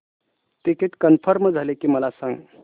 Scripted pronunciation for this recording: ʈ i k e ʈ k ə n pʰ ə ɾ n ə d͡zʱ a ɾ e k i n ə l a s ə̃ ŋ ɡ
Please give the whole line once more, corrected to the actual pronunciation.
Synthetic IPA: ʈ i k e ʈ k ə n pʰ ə ɾ m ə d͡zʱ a l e k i m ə l a s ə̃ ŋ ɡ

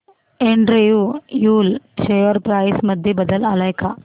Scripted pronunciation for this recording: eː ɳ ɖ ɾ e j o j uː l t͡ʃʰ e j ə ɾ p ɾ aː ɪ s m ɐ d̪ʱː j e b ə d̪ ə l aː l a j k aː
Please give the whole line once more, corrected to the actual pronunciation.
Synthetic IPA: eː ɳ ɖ ɾ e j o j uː l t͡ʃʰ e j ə ɾ p ɾ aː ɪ s m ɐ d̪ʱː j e b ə d̪ ə l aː l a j k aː

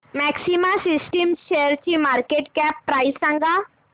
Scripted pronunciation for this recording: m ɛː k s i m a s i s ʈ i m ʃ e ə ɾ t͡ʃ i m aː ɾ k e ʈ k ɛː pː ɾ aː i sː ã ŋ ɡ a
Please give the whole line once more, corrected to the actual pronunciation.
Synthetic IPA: m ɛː k s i m a s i s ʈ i m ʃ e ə ɾ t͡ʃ i m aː ɾ k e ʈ k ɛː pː ɾ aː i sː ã ŋ ɡ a

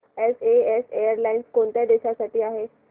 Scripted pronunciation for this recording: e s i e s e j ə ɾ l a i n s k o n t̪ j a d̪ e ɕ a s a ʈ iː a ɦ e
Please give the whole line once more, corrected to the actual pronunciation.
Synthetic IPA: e s e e s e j ə ɾ l a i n s k o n t̪ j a d̪ e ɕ a s a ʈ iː a ɦ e

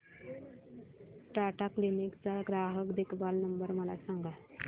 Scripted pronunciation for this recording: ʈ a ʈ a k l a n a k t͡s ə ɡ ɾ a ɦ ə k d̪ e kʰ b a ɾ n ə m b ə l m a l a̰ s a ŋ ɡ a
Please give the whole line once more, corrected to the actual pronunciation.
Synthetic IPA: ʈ a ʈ a k l i n i k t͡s a ɡ ɾ a ɦ ə k d̪ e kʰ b a l n ə m b ə ɾ m ə l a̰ s a ŋ ɡ a

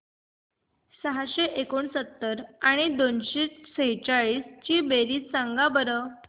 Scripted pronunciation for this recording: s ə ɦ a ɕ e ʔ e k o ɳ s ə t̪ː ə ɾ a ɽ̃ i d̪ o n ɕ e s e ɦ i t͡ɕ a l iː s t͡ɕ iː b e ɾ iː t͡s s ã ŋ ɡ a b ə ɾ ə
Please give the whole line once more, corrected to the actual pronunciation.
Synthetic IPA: s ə ɦ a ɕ e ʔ e k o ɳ s ə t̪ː ə ɾ a ɽ̃ i d̪ o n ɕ e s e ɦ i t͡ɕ a ɭ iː s t͡ɕ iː b e ɾ iː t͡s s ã ŋ ɡ a b ə ɾ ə

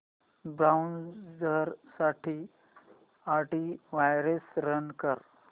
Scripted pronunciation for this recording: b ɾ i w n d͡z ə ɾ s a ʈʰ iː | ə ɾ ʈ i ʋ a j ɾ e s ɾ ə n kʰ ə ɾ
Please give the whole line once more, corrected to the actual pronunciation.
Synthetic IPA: b ɾ a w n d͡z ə ɾ s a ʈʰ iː | a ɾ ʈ i ʋ a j ɾ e s ɾ ə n k ə ɾ

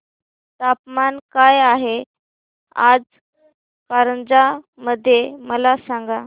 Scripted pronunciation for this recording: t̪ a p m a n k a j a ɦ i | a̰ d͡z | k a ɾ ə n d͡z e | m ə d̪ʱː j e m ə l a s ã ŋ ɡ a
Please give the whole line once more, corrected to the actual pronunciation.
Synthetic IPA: t̪ a p m a n k a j a ɦ e | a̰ d͡z | k a ɾ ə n d͡z a | m ə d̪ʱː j e m ə l a s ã ŋ ɡ a

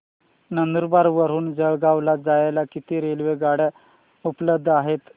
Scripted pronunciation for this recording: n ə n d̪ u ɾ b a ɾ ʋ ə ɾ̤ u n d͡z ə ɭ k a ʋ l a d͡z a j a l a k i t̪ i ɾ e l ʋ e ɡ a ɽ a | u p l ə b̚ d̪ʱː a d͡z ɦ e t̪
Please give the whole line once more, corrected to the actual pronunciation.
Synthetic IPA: n ə n d̪ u ɾ b a ɾ ʋ ə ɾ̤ uː n d͡z ə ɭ ɡ a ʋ l a d͡z a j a l a k i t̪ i ɾ e l ʋ e ɡ a ɽ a | u p l ə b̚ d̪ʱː a ɦ e t̪

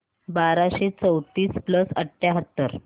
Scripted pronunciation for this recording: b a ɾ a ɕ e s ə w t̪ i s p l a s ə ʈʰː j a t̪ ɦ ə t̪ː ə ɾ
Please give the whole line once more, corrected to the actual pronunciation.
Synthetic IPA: b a ɾ a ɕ e t͡s ə w t̪ iː s p l ə s ə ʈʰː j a ɦ ə t̪ː ə ɾ

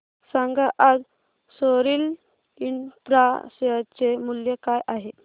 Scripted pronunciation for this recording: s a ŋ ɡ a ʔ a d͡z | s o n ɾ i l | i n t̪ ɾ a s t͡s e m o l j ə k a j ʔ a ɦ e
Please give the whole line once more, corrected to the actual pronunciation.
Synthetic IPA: s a ŋ ɡ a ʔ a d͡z | s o ɾ i l | i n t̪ ɾ a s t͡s e m u l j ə k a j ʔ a ɦ e

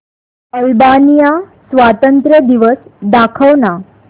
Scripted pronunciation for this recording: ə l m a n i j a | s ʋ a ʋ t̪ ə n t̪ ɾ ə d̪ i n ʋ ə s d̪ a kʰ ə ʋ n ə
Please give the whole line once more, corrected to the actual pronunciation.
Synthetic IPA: ə l b a n i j a | s ʋ a t̪ ə n t̪ ɾ ə d̪ i ʋ ə s d̪ a kʰ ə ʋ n a

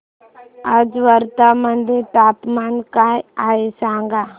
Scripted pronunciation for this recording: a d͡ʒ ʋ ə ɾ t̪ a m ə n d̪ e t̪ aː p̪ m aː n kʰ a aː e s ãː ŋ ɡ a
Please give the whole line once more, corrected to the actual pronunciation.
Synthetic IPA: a d͡ʒ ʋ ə ɾ t̪ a m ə n d̪ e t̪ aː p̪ m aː n k a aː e s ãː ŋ ɡ a

